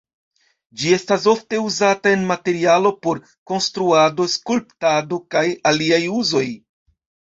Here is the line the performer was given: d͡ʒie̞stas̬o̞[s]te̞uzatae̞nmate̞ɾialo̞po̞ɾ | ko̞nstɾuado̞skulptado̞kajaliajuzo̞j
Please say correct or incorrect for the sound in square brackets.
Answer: incorrect